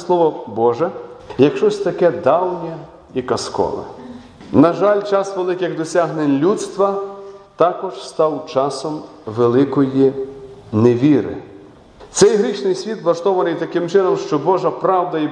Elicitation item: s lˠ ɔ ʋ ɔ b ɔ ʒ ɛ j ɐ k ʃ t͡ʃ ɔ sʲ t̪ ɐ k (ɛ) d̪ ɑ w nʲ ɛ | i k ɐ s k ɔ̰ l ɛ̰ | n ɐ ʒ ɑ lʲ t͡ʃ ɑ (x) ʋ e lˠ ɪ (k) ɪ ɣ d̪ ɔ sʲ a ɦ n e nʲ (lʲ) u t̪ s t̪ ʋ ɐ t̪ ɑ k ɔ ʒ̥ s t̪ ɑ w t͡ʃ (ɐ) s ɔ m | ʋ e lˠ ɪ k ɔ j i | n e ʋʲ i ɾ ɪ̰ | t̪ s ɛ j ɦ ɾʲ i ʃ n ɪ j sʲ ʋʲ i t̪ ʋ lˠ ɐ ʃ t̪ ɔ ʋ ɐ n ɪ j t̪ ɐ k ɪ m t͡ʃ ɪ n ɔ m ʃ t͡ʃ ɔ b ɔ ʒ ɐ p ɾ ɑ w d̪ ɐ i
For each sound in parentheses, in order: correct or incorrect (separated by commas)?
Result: correct, incorrect, correct, correct, incorrect